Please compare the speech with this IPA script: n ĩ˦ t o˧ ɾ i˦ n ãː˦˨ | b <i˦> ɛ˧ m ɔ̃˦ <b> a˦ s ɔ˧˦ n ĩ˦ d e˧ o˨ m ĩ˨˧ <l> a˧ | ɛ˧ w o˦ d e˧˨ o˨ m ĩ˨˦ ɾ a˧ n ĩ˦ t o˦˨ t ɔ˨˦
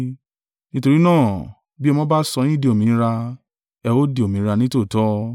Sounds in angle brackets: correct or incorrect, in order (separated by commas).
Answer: correct, correct, incorrect